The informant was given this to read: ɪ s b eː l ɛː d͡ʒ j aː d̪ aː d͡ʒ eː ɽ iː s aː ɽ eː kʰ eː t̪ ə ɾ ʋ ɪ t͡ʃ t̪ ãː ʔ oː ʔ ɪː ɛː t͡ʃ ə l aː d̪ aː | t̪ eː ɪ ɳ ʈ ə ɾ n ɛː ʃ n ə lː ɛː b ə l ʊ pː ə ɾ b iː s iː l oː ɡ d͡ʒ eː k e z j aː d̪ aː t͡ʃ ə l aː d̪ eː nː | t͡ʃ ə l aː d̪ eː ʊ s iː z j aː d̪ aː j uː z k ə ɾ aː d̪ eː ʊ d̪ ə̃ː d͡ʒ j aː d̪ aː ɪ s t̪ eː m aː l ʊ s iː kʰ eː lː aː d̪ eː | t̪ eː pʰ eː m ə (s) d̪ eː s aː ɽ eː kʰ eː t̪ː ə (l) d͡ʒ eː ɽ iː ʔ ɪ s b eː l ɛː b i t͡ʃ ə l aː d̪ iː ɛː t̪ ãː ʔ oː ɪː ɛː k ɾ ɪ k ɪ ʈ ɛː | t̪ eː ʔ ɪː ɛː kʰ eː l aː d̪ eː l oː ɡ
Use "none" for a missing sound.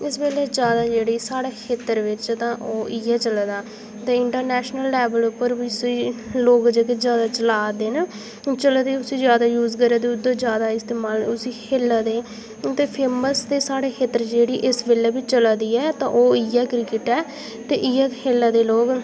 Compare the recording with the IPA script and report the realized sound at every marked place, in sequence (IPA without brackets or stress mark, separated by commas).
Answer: s, ɾ